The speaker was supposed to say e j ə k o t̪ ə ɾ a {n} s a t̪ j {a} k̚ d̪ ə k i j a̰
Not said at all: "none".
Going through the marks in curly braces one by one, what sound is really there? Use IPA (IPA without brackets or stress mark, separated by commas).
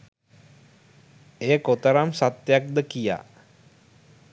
m, a